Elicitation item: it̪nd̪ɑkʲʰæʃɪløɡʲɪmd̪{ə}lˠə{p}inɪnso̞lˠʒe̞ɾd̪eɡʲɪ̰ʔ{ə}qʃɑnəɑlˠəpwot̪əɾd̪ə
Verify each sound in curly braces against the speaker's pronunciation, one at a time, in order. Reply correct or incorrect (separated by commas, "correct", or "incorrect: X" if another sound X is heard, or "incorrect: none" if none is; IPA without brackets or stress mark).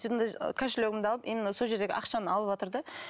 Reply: incorrect: ɑ, correct, incorrect: ɑ